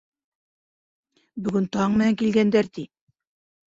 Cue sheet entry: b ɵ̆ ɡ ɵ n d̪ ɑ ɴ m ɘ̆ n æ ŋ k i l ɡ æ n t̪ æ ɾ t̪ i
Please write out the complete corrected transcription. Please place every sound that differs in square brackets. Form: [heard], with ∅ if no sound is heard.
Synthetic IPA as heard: b ɵ̆ ɡ ɵ n [t̪] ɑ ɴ m ɘ̆ n æ ŋ k i l ɡ æ n [d̪] æ ɾ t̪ i